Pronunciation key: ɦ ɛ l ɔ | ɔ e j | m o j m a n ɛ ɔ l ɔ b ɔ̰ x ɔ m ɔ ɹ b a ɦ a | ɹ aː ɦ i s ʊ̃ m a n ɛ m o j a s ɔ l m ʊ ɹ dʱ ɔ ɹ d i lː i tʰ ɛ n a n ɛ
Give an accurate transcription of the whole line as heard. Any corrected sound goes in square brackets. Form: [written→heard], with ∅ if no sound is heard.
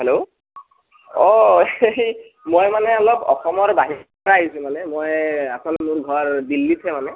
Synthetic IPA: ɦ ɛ l [ɔ→o] | ɔ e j | m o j m a n ɛ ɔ l ɔ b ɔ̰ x ɔ m ɔ ɹ b a ɦ [a→i] | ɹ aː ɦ i s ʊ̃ m a n ɛ m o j a s ɔ l m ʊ ɹ [dʱ→ɡʱ] ɔ ɹ d i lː i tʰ ɛ [n→m] a n ɛ